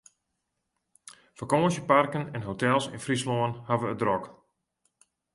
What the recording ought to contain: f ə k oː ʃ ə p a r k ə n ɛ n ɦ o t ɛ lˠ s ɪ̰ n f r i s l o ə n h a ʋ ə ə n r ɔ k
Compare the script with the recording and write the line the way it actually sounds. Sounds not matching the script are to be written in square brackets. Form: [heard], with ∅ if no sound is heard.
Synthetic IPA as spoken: f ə k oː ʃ ə p a r k ə n ɛ n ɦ o t ɛ lˠ s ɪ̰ n f r i s l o ə n h a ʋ ə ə [d] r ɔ k